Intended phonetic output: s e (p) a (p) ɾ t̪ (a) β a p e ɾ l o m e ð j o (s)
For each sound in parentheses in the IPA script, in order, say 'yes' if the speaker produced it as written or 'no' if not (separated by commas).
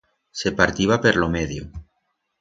yes, no, no, no